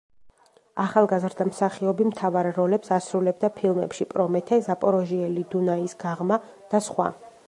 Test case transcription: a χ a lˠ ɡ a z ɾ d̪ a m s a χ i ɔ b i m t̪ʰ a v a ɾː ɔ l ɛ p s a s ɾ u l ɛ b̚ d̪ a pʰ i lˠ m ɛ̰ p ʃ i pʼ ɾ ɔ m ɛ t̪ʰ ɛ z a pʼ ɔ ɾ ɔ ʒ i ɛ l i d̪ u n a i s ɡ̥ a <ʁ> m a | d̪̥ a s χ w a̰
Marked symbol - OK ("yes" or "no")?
yes